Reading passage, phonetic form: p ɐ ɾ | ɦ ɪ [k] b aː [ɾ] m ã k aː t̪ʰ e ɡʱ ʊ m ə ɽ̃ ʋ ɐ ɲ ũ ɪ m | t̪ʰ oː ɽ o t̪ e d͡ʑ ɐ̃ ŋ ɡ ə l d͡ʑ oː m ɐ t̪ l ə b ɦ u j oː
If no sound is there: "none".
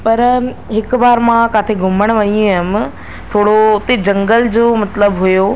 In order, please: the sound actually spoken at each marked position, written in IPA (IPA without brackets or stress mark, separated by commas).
k, ɾ